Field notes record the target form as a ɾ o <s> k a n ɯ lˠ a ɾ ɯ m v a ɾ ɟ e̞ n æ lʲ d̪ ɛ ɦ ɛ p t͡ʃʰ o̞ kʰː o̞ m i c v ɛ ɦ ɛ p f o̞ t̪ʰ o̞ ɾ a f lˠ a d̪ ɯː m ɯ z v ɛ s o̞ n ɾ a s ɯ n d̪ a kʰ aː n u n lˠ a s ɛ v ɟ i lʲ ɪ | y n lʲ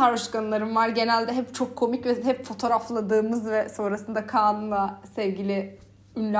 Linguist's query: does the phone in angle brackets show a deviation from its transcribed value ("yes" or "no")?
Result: yes